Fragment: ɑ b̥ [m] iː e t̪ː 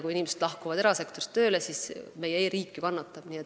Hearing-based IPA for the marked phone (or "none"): n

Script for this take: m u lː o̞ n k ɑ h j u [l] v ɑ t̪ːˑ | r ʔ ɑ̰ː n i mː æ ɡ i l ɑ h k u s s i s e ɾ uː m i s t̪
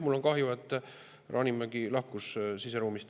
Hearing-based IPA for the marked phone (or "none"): none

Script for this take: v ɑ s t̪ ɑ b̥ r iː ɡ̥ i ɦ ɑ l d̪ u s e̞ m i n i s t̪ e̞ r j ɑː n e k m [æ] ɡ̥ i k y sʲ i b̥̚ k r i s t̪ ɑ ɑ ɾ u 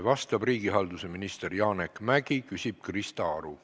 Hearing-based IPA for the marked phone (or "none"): æ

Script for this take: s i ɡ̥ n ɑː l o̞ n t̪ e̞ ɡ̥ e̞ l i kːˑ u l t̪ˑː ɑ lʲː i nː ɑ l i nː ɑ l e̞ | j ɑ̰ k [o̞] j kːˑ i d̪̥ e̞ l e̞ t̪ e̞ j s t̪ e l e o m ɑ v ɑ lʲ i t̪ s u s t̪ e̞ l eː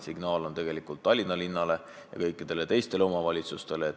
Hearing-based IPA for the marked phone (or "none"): ɤ̞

